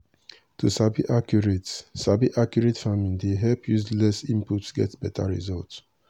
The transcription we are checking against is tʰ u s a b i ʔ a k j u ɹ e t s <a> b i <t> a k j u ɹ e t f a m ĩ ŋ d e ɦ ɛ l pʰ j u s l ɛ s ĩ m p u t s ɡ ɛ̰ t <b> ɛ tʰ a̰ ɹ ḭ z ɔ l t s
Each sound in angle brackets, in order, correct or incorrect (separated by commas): correct, incorrect, correct